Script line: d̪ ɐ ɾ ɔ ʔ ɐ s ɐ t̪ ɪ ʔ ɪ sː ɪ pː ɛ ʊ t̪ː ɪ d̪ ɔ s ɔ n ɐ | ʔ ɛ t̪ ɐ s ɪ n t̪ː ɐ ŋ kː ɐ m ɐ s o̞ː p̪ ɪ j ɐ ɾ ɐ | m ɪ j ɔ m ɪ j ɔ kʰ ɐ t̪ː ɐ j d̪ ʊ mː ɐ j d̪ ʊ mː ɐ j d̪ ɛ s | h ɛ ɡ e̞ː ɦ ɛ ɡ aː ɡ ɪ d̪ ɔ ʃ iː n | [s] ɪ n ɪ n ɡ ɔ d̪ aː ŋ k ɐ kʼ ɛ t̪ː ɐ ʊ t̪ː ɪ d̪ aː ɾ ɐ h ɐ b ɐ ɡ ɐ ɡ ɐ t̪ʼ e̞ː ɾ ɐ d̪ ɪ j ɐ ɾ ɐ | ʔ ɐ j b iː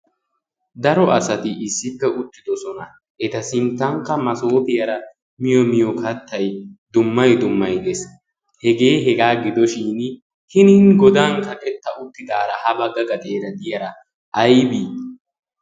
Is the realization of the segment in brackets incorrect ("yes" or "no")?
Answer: yes